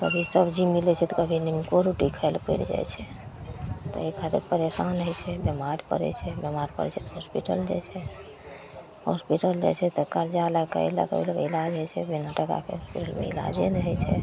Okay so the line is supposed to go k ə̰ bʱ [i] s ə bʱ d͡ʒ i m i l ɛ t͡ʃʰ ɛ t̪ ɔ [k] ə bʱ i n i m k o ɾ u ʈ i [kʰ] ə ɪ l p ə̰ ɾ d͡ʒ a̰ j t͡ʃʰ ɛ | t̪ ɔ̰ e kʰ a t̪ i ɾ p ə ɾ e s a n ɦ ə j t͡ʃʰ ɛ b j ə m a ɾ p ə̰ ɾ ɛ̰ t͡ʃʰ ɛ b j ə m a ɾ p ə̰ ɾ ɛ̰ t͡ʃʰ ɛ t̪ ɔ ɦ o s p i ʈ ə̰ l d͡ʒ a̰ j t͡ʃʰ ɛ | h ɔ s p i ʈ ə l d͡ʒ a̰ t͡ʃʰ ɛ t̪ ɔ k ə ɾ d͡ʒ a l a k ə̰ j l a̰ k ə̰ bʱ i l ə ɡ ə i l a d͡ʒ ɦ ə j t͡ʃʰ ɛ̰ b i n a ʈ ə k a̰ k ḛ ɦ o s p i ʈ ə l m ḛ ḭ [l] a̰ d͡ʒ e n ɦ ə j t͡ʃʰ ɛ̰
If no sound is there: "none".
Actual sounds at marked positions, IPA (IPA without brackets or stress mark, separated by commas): i, k, kʰ, l